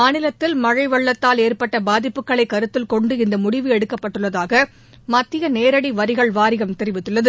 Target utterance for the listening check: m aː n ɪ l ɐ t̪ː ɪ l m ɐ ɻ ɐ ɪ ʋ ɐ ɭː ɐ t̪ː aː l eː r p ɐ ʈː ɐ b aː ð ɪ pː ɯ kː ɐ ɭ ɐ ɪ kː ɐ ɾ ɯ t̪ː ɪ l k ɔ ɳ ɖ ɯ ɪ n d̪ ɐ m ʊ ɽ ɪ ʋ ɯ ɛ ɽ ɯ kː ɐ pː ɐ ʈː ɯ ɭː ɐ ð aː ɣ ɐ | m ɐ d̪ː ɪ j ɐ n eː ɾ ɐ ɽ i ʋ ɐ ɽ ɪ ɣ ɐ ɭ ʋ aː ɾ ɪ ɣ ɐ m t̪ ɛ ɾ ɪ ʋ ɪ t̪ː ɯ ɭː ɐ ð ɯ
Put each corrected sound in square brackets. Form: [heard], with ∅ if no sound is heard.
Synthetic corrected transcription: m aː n ɪ l ɐ t̪ː ɪ l m ɐ ɻ ɐ ɪ ʋ ɐ ɭː ɐ t̪ː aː l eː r p ɐ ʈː ɐ b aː ð ɪ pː ɯ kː ɐ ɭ ɐ ɪ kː ɐ ɾ ɯ t̪ː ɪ l k ɔ ɳ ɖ ɯ ɪ n d̪ ɐ m ʊ ɽ ɪ ʋ ɯ ɛ ɽ ɯ kː ɐ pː ɐ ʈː ɯ ɭː ɐ ð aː ɣ ɐ | m ɐ [t̪ː] ɪ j ɐ n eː ɾ ɐ ɽ i ʋ ɐ [ɾ] ɪ ɣ ɐ ɭ ʋ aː ɾ ɪ ɣ ɐ m t̪ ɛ ɾ ɪ ʋ ɪ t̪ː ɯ ɭː ɐ ð ɯ